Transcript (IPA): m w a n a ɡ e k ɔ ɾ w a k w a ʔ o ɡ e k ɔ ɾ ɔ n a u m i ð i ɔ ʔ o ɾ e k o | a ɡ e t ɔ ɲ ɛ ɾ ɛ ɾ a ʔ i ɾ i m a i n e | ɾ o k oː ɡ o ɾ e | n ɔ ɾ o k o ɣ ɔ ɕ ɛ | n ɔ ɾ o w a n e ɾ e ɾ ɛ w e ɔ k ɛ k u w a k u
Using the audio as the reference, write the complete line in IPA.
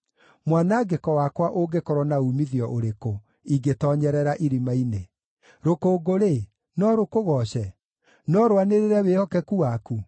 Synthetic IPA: m w a n a ɡ e k ɔ w a k w a ʔ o ɡ e k ɔ ɾ ɔ n a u m i ð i ɔ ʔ o ɾ e k o | i ɡ e t ɔ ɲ ɛ ɾ ɛ ɾ a ʔ i ɾ i m a i n e | ɾ o k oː ɡ o ɾ e | n ɔ ɾ o k o ɣ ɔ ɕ ɛ | n ɔ ɾ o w a n e ɾ e ɾ ɛ w e ɔ k ɛ k u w a k u